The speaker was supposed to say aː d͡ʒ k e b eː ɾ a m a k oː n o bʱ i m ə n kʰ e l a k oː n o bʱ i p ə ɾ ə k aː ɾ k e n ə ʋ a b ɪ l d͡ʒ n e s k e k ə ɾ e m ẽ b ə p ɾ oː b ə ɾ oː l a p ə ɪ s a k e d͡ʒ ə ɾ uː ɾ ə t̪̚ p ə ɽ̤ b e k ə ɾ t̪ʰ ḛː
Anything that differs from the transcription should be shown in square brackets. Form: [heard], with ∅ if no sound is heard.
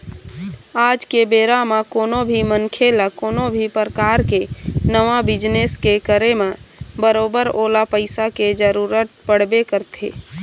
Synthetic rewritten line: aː d͡ʒ k e b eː ɾ a m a k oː n o bʱ i m ə n kʰ e l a k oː n o bʱ i p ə ɾ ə k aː ɾ k e n ə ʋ a b ɪ [∅] d͡ʒ n e s k e k ə ɾ e m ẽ b ə [∅] ɾ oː b ə ɾ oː l a p ə ɪ s a k e d͡ʒ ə ɾ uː ɾ ə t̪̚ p ə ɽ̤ b e k ə ɾ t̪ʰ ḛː